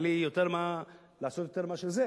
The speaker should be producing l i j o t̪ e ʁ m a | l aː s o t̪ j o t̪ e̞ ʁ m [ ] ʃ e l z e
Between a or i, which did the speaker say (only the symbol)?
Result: a